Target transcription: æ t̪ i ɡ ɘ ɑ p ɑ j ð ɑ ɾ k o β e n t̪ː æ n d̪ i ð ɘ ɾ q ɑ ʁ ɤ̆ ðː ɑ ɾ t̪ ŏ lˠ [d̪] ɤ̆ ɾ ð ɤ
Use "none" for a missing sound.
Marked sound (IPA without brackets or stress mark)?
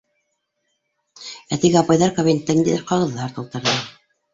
t̪